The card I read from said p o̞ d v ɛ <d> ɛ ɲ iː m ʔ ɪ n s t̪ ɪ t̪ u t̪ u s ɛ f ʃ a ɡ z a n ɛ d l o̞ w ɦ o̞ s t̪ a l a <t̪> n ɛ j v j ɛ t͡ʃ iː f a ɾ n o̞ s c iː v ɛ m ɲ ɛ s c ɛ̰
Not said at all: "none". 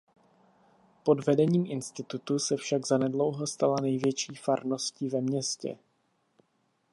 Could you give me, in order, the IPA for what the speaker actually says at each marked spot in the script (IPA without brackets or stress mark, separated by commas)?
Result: d, none